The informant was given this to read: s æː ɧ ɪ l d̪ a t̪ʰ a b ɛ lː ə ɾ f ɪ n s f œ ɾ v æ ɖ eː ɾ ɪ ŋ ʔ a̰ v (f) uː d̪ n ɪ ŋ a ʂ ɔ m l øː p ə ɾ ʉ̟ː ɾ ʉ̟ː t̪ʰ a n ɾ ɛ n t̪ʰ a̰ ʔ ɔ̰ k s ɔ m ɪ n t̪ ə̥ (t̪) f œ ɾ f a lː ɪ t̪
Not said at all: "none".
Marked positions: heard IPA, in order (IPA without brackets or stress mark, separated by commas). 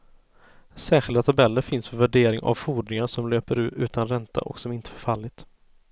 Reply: f, none